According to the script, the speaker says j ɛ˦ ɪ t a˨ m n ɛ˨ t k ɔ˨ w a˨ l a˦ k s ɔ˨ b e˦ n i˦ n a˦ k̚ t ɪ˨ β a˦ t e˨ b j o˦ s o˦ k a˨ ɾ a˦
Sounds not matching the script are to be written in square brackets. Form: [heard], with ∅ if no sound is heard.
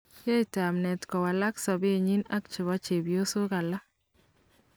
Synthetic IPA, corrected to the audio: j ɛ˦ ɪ t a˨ m n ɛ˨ t k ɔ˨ w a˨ l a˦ k s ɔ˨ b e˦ [ɲ] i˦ n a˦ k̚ [t͡ʃ] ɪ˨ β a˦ [t͡ʃ] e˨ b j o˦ s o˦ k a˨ [l] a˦